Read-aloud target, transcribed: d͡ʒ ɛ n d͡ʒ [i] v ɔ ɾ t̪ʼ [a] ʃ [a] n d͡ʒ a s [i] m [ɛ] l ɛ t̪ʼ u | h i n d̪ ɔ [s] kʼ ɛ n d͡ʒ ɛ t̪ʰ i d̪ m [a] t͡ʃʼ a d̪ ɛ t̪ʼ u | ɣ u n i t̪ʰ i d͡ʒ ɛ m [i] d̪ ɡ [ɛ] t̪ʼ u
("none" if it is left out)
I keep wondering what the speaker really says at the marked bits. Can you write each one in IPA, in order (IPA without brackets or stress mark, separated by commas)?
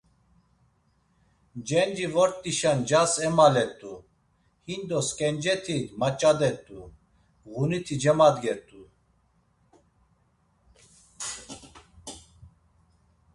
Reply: i, i, a, ɛ, a, s, a, a, ɛ